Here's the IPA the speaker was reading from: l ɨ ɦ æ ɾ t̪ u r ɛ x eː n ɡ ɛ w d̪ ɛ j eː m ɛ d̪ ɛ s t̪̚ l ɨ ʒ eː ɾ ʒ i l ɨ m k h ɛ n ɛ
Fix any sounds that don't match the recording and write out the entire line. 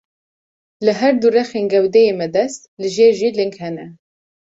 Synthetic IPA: l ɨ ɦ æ ɾ d̪ u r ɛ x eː n ɡ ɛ w d̪ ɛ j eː m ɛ d̪ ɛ s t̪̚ l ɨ ʒ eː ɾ ʒ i l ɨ ŋ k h ɛ n ɛ